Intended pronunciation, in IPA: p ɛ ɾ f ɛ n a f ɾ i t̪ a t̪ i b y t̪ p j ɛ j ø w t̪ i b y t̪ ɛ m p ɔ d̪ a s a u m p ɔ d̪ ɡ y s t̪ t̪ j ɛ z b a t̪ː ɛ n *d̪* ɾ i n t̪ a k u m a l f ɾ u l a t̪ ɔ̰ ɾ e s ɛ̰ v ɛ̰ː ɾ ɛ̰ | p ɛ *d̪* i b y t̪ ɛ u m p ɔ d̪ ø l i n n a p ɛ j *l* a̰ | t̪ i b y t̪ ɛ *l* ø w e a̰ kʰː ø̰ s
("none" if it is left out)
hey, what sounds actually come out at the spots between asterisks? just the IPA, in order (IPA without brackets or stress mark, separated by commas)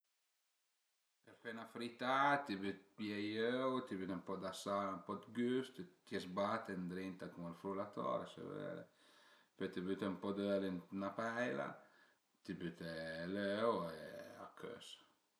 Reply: d̪, t̪, l, l